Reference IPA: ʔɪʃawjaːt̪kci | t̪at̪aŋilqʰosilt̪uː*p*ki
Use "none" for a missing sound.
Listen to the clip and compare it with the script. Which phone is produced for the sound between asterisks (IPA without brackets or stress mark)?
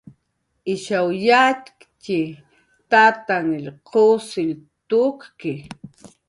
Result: k